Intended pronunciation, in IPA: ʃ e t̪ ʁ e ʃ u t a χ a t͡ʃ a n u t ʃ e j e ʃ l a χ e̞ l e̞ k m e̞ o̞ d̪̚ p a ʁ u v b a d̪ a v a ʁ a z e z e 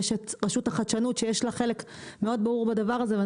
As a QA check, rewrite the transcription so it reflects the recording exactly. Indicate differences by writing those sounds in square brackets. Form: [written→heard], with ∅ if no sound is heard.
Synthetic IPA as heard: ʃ e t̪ ʁ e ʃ u t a χ a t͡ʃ a n u t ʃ e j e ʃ l a χ e̞ l e̞ k m e̞ o̞ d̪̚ [p→b] a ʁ u [v→ʁ] b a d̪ a v a ʁ a z e [z→v] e